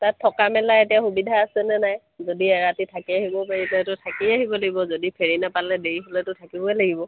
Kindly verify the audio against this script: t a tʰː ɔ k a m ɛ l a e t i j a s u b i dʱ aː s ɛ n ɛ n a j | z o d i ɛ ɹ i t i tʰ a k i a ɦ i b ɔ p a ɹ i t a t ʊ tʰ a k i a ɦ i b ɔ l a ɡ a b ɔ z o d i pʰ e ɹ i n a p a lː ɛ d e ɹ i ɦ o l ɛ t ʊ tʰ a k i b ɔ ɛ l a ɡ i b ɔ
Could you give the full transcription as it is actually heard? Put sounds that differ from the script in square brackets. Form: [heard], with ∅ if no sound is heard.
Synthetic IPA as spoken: t a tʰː ɔ k a m ɛ l a e t i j a [x] u b i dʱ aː s ɛ n ɛ n a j | z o d i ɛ ɹ [a] t i tʰ a k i a ɦ i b ɔ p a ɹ i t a t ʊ tʰ a k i a ɦ i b ɔ l a ɡ [i] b ɔ z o d i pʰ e ɹ i n a p a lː ɛ d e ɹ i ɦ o l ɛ t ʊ tʰ a k i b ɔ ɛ l a ɡ i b ɔ